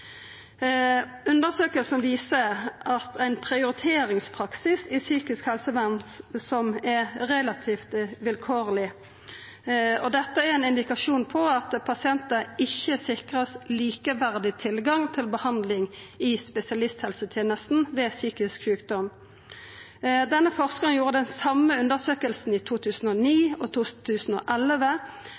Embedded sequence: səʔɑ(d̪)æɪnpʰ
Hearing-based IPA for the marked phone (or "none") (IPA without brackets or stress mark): t̪